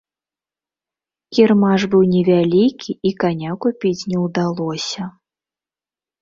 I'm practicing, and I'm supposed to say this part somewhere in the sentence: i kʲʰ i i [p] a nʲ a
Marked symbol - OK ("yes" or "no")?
no